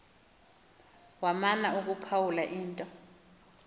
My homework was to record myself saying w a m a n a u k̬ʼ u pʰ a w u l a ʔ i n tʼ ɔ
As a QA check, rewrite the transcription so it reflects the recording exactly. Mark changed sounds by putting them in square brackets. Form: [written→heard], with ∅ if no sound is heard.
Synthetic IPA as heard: w a m a n a u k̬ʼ u pʰ a w u l a ʔ [i→iː] n tʼ ɔ